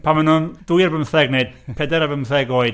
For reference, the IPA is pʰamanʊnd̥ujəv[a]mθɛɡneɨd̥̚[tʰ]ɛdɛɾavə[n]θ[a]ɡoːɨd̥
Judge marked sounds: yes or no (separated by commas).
no, no, no, no